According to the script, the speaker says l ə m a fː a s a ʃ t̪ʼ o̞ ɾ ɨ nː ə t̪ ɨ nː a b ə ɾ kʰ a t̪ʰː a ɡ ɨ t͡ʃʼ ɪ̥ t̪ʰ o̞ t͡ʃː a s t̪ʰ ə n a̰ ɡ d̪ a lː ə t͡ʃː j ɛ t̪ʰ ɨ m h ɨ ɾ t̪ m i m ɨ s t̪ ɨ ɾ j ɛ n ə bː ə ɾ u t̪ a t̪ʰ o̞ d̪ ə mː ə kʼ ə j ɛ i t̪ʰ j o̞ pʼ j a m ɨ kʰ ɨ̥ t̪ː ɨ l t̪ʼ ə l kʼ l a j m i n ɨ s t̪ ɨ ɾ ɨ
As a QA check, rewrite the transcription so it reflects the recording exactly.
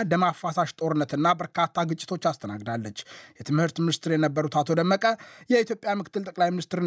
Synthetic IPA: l ə m a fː a s a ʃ t̪ʼ o̞ ɾ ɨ nː ə t̪ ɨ nː a b ə ɾ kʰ a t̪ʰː a ɡ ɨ t͡ʃʼ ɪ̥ t̪ʰ o̞ t͡ʃː a s t̪ʰ ə n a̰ ɡ d̪ a lː ə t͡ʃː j ɛ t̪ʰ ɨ m h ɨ ɾ t̪ m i n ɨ s t̪ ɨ ɾ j ɛ n ə bː ə ɾ u t̪ a t̪ʰ o̞ d̪ ə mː ə kʼ ə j ɛ i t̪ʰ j o̞ pʼ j a m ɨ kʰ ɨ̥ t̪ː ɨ l t̪ʼ ə kʼ l a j m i n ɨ s t̪ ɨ ɾ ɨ